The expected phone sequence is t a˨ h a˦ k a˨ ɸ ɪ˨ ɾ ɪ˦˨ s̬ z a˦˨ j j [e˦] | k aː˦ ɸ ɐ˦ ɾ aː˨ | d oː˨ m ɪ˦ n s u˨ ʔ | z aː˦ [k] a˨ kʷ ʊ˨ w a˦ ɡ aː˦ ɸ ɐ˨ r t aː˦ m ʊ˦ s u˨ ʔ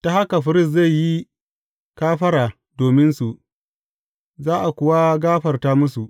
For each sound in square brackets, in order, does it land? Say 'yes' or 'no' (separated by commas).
no, no